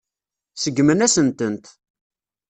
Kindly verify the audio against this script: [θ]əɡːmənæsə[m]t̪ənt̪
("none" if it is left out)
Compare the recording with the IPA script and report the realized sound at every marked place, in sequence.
s, n

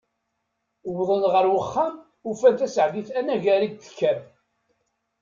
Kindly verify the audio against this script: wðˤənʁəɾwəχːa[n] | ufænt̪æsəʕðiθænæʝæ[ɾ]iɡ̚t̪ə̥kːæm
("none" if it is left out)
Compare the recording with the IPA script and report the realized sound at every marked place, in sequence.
m, ɾ

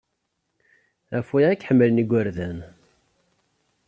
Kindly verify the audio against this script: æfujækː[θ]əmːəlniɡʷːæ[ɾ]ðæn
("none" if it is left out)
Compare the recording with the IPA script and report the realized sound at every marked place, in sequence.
ħ, ɾ

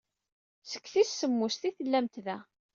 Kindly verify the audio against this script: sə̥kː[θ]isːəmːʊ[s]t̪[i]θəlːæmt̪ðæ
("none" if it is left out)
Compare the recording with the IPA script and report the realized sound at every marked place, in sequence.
θ, s, i

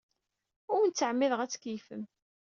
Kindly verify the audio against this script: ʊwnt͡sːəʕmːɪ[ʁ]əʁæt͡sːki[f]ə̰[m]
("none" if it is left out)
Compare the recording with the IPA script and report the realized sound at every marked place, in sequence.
ð, f, m

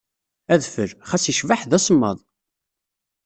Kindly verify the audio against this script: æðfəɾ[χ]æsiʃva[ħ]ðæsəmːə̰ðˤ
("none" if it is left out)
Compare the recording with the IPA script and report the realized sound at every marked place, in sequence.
χ, ħ

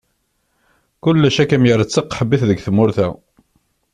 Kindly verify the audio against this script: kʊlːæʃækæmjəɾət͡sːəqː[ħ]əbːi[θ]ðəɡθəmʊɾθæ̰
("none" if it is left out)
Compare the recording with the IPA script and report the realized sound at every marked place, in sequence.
ħ, θ

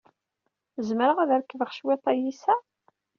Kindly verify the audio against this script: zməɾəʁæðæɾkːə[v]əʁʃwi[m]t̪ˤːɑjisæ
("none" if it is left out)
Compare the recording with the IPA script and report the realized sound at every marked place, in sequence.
v, none

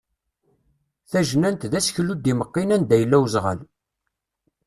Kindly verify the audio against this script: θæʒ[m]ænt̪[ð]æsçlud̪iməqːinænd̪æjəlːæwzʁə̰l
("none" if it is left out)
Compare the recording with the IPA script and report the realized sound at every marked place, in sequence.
n, ð

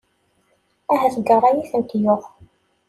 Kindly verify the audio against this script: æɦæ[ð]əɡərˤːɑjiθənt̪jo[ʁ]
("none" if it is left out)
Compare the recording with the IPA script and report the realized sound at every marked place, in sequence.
θ, ʁ

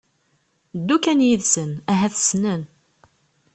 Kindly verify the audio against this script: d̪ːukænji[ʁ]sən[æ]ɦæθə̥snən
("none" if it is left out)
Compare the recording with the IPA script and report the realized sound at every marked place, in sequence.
ð, æ

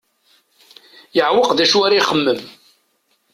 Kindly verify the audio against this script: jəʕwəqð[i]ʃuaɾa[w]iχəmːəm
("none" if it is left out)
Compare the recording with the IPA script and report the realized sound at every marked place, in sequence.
æ, none

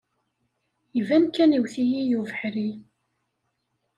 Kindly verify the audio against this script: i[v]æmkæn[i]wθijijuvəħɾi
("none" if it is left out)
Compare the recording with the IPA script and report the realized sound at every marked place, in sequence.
v, i

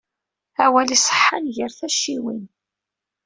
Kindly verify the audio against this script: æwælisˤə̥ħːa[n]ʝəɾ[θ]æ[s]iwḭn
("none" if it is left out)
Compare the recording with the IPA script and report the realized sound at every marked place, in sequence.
n, θ, ʃ

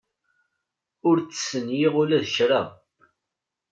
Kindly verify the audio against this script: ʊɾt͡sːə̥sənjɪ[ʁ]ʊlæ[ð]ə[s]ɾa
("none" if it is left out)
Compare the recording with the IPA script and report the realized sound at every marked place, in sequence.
ʁ, ð, ʃ

